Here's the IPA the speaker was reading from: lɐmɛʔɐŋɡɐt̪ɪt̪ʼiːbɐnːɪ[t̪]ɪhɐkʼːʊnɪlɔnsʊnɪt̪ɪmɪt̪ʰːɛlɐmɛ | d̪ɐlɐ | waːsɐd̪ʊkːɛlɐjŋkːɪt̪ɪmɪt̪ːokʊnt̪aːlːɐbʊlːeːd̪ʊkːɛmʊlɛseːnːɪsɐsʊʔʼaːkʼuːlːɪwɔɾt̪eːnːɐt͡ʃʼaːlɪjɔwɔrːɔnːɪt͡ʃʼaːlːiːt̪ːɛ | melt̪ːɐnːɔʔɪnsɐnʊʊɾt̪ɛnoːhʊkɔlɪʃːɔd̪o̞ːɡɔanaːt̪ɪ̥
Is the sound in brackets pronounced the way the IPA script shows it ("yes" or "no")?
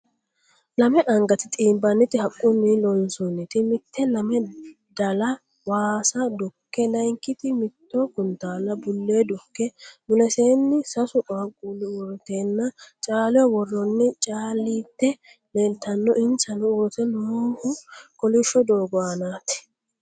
yes